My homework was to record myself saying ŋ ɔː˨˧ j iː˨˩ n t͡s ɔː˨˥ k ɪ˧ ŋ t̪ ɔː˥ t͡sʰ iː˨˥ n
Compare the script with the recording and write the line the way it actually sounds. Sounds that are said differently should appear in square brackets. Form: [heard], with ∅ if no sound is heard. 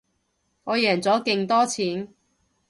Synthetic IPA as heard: ŋ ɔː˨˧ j [ɛː˨˩] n t͡s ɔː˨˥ k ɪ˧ ŋ t̪ ɔː˥ t͡sʰ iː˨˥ n